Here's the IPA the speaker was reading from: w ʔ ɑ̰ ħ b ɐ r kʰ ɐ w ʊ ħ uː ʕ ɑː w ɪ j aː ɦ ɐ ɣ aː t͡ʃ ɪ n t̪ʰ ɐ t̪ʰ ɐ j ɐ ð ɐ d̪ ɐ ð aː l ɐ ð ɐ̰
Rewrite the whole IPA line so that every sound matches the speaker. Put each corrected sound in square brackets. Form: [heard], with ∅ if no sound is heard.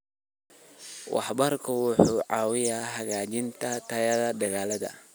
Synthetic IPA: w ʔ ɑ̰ ħ b ɐ r kʰ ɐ w ʊ ħ uː ʕ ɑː w ɪ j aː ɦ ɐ ɣ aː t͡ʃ ɪ n t̪ʰ ɐ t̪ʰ ɐ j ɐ ð ɐ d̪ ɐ [ɣ] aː l ɐ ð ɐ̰